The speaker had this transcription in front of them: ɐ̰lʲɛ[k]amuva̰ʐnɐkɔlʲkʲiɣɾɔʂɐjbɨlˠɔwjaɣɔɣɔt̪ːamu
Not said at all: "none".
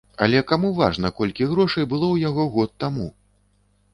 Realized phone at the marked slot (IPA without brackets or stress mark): k